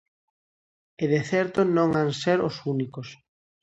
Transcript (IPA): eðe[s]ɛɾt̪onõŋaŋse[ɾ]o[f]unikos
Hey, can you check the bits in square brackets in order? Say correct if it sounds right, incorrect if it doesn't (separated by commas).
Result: incorrect, correct, incorrect